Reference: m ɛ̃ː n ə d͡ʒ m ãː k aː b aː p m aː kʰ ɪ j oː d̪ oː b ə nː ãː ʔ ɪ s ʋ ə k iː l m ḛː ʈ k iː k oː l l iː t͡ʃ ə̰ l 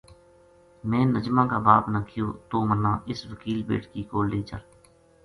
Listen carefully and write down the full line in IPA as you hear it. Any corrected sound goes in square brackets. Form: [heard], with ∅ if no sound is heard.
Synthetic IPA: m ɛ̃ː n ə d͡ʒ m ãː k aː b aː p [n] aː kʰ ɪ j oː [t̪] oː [m] ə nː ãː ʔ ɪ s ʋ ə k iː l [b] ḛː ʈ k iː k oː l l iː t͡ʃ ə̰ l